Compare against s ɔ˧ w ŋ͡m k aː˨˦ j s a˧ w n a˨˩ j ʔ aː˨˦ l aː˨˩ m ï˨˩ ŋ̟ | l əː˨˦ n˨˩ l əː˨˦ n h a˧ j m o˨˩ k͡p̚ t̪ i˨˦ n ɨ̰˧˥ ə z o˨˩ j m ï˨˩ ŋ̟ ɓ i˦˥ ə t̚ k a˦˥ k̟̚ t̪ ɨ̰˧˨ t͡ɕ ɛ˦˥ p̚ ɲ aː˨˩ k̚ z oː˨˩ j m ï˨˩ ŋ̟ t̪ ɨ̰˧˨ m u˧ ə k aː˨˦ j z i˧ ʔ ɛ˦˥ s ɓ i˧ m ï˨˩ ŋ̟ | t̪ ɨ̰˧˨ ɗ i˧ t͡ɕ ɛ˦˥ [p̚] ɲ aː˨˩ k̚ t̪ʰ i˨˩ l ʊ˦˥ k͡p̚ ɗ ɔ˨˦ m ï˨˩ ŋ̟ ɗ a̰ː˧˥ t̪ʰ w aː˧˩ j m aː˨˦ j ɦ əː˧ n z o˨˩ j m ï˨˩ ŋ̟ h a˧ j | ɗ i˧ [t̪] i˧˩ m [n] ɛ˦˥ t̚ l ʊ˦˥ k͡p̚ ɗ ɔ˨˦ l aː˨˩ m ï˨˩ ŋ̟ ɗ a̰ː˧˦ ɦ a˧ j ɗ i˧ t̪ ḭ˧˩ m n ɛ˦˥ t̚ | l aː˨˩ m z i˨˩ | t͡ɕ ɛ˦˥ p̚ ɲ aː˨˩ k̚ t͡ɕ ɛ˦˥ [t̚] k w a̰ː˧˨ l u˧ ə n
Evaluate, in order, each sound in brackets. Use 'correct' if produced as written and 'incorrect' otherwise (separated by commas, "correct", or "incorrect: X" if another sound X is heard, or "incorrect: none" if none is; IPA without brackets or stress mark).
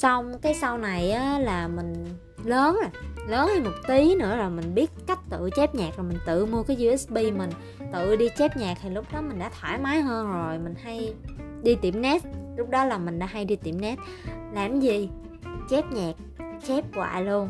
correct, correct, correct, incorrect: p̚